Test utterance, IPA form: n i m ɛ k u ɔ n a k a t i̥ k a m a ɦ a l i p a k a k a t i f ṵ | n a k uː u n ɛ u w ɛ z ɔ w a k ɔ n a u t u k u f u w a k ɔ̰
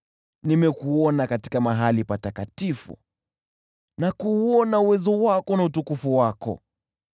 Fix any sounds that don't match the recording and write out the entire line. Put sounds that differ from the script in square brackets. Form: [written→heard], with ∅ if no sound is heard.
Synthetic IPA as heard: n i m ɛ k u ɔ n a k a t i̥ k a m a ɦ a l i p a [k→t] a k a t i f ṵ | n a k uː [u→ɔ] n [ɛ→a] u w ɛ z ɔ w a k ɔ n a u t u k u f u w a k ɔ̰